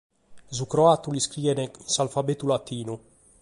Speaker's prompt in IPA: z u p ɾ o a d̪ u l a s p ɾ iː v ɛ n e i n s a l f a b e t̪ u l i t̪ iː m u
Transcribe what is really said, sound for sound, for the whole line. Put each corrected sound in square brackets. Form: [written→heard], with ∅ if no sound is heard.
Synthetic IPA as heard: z u [p→k] ɾ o a [d̪→t̪] u l [a→i] s [p→k] ɾ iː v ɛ n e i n s a l f a b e t̪ u l [i→a] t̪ iː [m→n] u